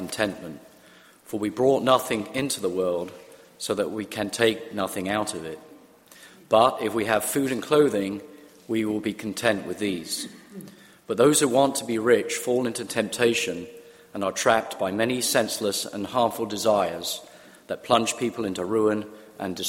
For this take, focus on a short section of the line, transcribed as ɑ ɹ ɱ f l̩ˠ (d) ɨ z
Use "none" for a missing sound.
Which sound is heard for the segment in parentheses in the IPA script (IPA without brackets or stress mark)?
d